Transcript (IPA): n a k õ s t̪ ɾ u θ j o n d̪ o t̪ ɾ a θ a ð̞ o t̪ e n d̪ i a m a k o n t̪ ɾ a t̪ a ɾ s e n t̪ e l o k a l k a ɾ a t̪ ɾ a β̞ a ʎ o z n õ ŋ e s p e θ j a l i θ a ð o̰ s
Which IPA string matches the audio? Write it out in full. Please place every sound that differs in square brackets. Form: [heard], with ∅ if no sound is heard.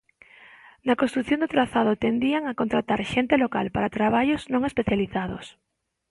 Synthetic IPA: n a k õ s t̪ ɾ u θ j o n d̪ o t̪ ɾ a θ a ð̞ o t̪ e n d̪ i a [ŋ] a k o n t̪ ɾ a t̪ a ɾ [ʃ] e n t̪ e l o k a l [p] a ɾ a t̪ ɾ a β̞ a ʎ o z n õ ŋ e s p e θ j a l i θ a ð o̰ s